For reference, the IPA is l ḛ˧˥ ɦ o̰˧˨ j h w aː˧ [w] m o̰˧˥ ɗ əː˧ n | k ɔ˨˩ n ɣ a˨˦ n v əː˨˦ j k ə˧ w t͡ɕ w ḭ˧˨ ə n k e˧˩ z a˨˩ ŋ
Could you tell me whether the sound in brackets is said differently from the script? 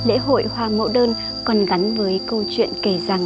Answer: yes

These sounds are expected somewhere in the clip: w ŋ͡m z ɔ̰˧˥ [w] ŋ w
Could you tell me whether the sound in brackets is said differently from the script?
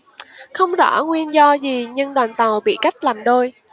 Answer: yes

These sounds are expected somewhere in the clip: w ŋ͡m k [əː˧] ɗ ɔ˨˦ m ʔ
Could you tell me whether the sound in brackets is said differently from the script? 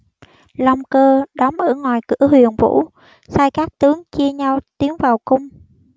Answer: no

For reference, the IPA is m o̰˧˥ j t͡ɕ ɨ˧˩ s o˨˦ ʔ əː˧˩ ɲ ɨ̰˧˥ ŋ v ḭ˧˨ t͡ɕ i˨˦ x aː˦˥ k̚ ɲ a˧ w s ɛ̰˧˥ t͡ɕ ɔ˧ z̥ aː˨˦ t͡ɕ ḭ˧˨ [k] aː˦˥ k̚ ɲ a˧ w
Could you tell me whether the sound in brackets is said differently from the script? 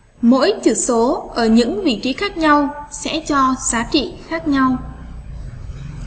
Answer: yes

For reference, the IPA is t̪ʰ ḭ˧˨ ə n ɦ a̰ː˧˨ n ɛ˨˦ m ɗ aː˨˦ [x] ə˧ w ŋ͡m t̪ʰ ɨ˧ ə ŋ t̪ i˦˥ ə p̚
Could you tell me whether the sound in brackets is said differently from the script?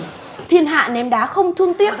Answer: no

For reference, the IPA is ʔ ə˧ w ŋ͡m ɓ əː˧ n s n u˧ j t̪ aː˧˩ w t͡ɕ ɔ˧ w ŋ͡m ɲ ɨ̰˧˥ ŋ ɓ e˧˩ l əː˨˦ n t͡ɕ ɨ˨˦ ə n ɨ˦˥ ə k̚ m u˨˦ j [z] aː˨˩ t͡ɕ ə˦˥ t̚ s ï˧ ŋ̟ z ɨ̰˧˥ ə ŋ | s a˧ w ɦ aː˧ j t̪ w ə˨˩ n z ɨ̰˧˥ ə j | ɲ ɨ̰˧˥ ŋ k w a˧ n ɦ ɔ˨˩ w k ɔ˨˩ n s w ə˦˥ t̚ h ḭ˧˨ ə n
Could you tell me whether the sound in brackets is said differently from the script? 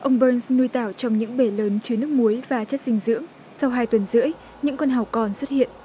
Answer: yes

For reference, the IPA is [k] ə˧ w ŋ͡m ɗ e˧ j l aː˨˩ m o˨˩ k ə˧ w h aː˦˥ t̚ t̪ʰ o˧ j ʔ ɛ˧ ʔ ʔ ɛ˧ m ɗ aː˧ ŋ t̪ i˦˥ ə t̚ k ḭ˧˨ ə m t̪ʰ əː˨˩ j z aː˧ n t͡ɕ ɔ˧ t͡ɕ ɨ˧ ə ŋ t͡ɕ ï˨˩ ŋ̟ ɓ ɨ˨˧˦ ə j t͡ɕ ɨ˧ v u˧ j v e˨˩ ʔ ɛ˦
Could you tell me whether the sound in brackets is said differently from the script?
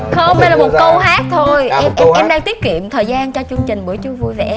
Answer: yes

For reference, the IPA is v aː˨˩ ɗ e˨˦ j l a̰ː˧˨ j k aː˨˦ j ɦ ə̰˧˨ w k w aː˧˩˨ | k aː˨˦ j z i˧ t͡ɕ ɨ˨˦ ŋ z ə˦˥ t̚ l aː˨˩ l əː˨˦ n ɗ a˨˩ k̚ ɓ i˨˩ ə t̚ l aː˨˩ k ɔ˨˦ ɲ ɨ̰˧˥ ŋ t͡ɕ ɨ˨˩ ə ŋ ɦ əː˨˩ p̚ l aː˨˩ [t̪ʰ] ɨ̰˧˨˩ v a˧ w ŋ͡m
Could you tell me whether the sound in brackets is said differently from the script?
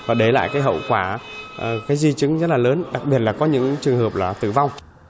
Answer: yes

